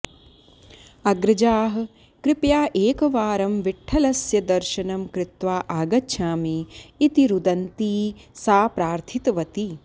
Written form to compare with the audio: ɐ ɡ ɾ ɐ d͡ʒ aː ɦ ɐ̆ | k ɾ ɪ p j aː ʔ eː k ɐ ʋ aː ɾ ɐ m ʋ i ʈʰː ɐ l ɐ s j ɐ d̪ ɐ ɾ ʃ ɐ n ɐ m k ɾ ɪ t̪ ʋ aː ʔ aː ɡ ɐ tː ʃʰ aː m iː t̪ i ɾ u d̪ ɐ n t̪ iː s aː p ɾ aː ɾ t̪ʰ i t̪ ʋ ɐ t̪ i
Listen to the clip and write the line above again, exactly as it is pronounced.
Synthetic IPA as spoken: ɐ ɡ ɾ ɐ d͡ʒ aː ɦ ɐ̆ | k ɾ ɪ p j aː ʔ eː k ɐ ʋ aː ɾ ɐ m ʋ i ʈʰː ɐ l ɐ s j ɐ d̪ ɐ ɾ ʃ ɐ n ɐ m k ɾ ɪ t̪ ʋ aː ʔ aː ɡ ɐ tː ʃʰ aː m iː t̪ i ɾ u d̪ ɐ n t̪ iː s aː p ɾ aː ɾ t̪ʰ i t̪ ʋ ɐ t̪ i